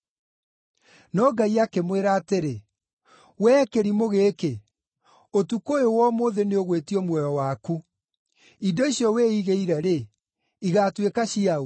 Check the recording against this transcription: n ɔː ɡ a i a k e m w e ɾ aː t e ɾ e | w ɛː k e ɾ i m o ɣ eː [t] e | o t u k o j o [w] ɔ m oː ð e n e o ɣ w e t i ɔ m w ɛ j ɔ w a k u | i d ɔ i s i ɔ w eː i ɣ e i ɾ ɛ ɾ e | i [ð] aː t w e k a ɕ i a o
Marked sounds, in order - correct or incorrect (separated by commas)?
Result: incorrect, correct, incorrect